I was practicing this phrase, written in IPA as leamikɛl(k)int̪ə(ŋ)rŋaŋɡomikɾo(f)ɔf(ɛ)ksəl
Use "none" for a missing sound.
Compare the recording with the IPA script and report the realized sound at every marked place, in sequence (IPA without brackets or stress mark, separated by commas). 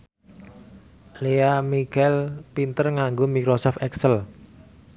p, none, s, ɛ